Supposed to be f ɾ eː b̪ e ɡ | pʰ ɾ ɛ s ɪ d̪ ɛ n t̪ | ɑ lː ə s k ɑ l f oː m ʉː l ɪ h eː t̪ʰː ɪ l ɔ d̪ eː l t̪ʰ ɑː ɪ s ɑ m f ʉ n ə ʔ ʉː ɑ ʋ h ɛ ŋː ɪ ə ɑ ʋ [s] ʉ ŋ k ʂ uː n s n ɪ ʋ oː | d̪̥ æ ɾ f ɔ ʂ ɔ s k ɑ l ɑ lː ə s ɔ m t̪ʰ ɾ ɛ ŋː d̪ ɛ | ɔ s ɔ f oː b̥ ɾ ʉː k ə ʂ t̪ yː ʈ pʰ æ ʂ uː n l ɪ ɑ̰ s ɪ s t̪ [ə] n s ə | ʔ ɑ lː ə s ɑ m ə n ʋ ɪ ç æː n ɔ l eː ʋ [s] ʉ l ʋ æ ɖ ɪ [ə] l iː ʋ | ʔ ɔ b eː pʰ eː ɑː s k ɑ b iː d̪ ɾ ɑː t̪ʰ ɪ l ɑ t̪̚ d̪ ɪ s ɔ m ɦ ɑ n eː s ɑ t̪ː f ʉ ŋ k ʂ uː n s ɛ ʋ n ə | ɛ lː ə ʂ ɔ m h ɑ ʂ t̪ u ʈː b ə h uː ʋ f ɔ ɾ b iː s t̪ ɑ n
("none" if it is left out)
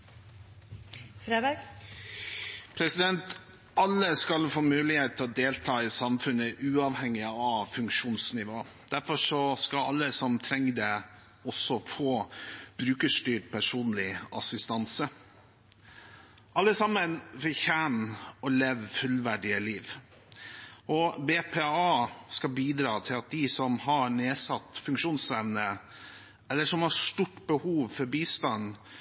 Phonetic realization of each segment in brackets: f, ɑ, f, ə

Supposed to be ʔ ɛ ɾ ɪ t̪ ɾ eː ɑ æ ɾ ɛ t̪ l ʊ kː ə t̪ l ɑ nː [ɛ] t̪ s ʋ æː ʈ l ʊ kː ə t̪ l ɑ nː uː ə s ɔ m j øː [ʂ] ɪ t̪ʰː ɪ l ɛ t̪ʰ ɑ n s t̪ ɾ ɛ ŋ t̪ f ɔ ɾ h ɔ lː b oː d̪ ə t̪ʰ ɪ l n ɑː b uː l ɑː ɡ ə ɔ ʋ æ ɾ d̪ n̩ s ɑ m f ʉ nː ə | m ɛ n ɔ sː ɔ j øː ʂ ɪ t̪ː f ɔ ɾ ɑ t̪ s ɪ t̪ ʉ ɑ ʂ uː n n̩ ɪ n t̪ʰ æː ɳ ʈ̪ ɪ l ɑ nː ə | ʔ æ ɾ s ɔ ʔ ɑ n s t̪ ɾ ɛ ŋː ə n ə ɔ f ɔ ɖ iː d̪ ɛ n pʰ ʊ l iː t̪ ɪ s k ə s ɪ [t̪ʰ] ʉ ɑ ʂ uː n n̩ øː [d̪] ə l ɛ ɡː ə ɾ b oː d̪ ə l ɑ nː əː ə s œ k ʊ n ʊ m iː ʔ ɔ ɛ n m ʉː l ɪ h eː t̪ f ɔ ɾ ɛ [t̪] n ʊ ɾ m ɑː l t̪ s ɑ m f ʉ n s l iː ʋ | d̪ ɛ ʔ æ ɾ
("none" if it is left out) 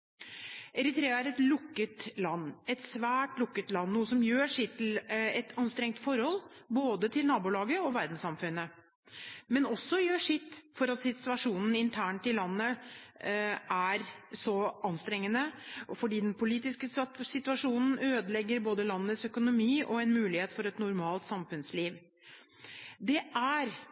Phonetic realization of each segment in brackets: ɛ, ʂ, t̪, d̪, t̪

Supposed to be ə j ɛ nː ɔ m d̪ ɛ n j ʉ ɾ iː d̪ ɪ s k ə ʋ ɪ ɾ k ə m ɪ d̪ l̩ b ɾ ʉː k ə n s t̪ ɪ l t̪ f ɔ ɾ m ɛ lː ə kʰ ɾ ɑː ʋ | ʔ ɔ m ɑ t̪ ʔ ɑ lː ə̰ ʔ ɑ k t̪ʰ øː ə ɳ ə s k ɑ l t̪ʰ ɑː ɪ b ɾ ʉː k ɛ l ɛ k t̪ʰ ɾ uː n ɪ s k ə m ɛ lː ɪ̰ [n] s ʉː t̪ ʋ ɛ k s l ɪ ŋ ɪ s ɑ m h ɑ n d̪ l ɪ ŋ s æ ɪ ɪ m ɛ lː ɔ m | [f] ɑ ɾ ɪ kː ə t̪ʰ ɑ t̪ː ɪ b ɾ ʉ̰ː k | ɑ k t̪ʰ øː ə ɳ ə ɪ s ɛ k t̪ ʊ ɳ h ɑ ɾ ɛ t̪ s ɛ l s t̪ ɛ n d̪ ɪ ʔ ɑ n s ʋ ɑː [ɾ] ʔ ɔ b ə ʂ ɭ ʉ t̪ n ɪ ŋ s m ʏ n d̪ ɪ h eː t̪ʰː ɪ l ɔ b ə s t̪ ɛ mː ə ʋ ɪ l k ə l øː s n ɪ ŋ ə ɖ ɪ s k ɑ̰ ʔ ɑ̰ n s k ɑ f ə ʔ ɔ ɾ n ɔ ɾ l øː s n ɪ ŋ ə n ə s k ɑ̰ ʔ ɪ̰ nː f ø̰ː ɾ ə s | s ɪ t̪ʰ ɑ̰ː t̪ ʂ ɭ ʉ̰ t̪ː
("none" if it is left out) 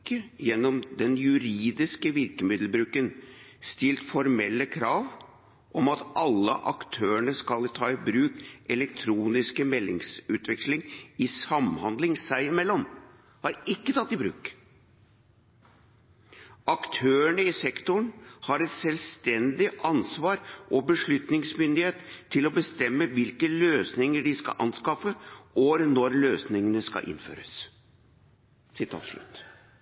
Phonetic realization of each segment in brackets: ŋ, h, ɾ

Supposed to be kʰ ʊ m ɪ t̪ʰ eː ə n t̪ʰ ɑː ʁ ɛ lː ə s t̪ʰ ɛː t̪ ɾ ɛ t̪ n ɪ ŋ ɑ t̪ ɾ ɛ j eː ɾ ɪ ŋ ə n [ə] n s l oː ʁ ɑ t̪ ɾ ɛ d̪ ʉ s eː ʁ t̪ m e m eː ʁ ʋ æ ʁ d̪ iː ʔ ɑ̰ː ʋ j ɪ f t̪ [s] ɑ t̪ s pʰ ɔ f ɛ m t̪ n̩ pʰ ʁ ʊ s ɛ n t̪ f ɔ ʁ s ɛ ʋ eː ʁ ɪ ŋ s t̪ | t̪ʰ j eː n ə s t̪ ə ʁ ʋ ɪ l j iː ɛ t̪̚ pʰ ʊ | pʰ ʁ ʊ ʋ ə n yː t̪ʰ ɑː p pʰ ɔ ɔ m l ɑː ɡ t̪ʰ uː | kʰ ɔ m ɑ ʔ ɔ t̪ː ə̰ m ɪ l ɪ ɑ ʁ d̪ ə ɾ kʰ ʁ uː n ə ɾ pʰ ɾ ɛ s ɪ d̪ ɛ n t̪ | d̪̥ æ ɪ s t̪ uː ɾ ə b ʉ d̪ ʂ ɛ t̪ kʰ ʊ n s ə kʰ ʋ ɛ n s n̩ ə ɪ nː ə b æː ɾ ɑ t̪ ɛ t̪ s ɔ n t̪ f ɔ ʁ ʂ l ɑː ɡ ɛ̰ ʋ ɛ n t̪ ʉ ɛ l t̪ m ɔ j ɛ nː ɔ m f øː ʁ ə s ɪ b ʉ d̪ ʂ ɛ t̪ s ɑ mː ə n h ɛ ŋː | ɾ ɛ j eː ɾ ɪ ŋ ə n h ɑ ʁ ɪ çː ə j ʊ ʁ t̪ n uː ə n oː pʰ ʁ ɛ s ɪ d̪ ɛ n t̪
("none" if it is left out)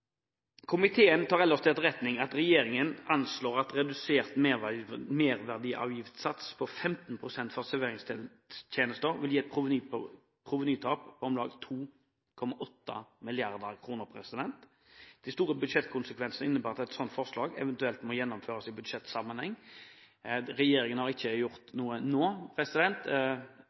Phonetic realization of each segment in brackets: ɑ, s

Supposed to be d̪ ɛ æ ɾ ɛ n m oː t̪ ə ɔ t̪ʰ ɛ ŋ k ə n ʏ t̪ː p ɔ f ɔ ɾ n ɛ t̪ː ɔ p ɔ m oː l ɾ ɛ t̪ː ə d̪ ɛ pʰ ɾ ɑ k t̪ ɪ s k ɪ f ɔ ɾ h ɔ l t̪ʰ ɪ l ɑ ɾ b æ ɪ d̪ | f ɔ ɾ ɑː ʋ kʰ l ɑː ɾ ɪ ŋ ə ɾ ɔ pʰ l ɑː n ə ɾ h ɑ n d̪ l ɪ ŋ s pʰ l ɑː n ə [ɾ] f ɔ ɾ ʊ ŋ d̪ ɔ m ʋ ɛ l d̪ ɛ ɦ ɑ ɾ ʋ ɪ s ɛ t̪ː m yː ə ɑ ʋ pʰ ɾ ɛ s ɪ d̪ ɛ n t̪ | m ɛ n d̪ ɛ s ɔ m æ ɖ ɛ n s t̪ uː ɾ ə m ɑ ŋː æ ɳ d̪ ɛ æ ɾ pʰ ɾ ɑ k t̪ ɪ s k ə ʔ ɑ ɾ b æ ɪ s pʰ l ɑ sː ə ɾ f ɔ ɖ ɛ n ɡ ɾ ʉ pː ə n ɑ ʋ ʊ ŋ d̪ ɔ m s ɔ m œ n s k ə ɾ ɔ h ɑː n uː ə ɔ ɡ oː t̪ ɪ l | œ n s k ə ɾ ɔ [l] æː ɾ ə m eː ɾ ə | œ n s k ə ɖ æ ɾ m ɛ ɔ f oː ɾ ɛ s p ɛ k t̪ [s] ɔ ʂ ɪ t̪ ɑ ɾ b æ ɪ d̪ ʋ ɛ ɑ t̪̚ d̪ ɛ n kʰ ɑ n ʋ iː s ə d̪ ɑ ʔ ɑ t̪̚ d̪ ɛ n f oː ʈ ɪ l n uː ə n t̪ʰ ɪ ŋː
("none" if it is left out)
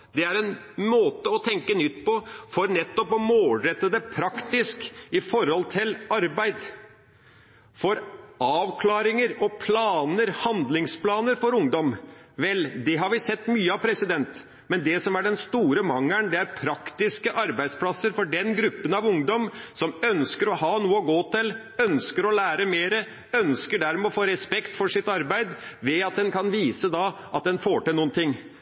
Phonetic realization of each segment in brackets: ɾ, l, f

